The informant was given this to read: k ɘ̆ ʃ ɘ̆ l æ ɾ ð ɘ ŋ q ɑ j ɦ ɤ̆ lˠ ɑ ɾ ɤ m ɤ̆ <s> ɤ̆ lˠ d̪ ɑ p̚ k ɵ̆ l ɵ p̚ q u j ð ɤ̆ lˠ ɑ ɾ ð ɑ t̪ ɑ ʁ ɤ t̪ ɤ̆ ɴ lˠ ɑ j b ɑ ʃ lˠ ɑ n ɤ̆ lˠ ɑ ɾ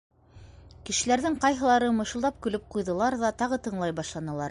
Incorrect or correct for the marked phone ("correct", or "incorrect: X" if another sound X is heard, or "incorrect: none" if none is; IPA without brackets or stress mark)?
incorrect: ʃ